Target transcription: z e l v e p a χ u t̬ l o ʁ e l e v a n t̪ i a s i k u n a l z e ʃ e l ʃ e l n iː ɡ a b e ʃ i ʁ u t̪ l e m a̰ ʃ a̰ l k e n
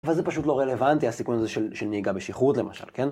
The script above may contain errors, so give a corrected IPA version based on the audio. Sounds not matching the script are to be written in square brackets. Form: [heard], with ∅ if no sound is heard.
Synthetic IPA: [v] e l [z] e p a [ʃ] u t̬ l o ʁ e l e v a n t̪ i a s i k u n a [∅] z e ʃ e l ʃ e l n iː ɡ a b e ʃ i [χ] u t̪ l e m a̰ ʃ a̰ l k e n